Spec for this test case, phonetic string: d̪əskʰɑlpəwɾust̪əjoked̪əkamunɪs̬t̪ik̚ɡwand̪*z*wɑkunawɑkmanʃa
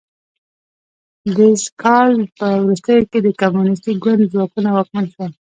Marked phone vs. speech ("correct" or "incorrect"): correct